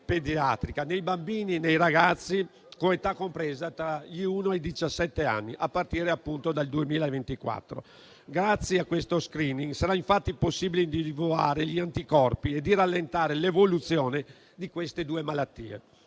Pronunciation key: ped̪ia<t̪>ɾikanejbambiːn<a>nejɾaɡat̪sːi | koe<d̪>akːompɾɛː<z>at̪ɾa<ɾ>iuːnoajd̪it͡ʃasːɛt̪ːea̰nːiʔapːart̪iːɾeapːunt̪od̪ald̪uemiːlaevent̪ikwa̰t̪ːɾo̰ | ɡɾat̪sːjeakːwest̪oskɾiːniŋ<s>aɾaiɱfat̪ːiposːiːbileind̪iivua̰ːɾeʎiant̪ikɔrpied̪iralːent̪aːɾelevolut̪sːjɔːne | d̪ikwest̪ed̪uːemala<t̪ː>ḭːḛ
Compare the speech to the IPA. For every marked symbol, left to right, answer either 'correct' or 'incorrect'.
correct, incorrect: i, incorrect: t̪, correct, incorrect: ʎ, correct, correct

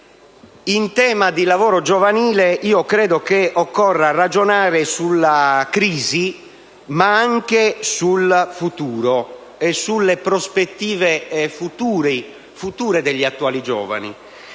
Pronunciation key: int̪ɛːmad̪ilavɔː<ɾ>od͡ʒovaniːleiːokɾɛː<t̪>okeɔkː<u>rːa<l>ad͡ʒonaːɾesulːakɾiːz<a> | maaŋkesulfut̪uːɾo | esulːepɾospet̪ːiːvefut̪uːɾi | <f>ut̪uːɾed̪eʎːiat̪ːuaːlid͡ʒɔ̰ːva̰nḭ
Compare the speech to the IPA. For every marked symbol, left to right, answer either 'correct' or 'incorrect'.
correct, incorrect: d̪, incorrect: ɔ, incorrect: r, incorrect: i, correct

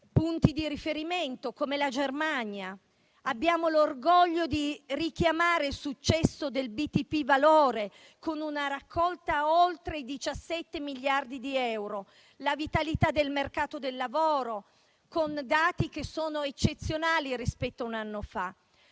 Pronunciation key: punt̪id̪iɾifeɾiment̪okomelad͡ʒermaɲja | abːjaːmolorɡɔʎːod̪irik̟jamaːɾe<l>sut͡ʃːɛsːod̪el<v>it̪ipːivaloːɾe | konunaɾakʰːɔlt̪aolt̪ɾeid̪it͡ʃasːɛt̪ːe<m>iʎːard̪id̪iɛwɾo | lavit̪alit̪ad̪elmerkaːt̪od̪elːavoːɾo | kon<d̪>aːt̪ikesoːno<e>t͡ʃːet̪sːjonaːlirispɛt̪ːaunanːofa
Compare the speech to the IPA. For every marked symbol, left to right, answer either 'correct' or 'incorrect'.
correct, incorrect: b, correct, correct, correct

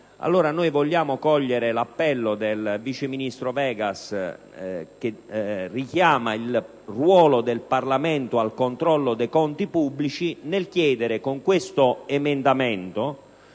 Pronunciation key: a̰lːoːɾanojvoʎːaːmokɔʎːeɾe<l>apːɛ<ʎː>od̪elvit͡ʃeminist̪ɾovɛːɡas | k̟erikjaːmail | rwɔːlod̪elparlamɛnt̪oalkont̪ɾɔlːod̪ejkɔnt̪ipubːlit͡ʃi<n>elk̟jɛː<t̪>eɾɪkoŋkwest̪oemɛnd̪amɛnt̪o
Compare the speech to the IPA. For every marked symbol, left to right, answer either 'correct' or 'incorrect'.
correct, incorrect: lː, correct, incorrect: d̪

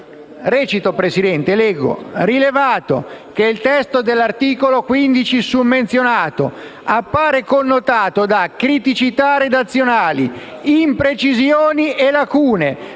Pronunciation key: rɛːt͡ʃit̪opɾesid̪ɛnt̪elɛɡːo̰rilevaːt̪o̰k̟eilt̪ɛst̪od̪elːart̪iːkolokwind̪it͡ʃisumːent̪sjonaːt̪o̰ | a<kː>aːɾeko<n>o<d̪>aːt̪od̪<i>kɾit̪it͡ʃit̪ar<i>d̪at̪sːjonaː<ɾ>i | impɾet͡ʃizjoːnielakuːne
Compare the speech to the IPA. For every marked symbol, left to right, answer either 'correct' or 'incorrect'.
incorrect: pː, incorrect: nː, incorrect: t̪, incorrect: a, incorrect: e, incorrect: l

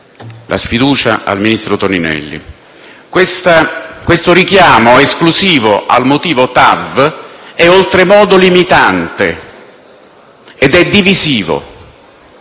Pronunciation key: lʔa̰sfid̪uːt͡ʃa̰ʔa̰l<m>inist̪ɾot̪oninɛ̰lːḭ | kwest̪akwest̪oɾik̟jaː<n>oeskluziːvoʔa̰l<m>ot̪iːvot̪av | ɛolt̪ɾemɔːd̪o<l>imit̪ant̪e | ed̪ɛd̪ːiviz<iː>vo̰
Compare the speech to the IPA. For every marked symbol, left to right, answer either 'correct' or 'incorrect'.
correct, incorrect: m, correct, correct, correct

